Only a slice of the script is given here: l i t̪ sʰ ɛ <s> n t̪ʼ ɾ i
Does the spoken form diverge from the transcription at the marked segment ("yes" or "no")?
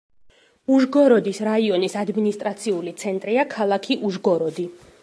yes